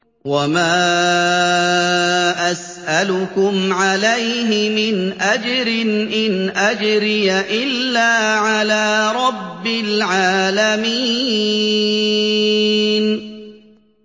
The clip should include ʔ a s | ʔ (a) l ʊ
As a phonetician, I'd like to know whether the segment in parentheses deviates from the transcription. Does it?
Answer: no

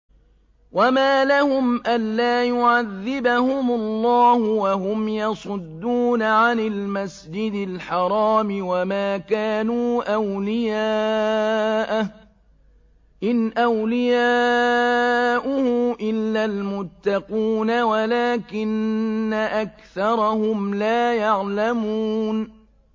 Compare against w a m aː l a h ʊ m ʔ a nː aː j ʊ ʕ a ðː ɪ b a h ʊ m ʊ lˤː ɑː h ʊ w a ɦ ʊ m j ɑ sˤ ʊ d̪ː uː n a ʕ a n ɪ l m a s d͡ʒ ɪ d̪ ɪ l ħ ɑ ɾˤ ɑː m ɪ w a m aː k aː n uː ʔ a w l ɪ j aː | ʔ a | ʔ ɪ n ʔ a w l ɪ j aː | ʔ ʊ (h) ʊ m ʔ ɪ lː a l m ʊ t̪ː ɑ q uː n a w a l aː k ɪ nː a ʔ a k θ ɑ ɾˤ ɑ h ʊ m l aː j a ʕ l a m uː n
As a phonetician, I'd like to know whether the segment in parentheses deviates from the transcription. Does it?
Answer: no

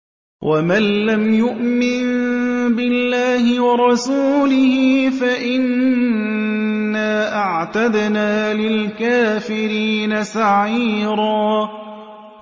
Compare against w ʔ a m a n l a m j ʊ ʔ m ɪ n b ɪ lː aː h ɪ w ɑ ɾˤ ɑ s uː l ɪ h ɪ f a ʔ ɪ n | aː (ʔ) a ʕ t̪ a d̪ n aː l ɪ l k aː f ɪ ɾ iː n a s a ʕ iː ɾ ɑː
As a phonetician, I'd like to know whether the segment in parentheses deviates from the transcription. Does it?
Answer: no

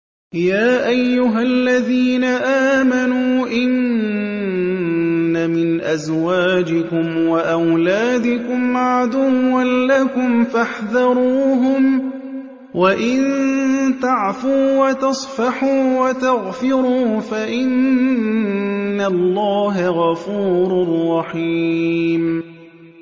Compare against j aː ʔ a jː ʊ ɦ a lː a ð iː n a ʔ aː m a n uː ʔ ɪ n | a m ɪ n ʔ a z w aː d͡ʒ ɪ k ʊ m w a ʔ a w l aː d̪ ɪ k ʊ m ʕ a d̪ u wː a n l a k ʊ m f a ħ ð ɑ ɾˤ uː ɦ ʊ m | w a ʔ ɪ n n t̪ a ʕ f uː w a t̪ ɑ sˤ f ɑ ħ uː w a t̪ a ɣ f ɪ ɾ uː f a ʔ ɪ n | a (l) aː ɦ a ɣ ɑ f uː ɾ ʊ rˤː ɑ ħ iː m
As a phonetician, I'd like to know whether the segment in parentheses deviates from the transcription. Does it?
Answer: yes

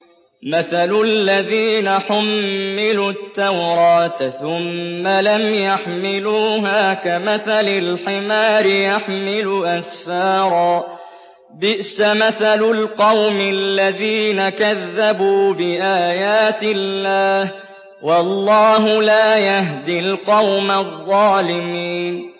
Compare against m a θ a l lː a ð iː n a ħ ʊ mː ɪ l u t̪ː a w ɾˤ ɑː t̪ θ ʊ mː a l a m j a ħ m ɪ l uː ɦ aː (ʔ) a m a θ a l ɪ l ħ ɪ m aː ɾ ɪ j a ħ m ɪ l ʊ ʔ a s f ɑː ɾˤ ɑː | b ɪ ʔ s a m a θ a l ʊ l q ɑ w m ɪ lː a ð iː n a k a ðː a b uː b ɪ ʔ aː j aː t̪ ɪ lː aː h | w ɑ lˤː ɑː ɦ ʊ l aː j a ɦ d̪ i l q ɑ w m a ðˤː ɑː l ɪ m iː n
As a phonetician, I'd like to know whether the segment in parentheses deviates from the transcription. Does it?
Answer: yes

